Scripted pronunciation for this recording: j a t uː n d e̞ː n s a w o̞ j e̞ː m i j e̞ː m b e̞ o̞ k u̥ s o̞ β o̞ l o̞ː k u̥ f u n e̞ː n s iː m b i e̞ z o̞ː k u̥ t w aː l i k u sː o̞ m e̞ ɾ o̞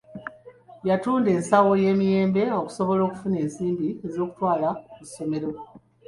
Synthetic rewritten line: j a t uː n d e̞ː n s a w o̞ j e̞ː m i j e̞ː m b e̞ o̞ k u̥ s o̞ β o̞ l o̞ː k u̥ f u n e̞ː n s iː m b i e̞ z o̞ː k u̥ t w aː l a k u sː o̞ m e̞ ɾ o̞